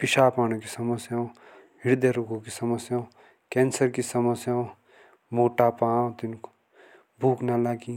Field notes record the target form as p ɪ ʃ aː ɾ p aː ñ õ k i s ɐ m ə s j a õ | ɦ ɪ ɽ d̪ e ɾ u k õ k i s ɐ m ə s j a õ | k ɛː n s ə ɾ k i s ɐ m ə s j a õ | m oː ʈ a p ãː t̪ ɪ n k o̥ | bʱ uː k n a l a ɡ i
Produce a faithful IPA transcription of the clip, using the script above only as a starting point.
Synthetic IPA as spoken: p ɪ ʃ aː p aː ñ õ k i s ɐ m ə s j a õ | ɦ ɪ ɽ d̪ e ɾ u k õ k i s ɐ m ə s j a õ | k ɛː n s ə ɾ k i s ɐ m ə s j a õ | m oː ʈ a p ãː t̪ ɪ n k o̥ | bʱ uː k n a l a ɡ i